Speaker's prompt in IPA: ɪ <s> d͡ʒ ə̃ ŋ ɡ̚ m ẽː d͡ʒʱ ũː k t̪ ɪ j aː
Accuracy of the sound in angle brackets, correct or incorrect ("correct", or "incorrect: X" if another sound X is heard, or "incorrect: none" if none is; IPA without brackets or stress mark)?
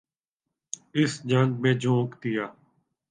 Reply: correct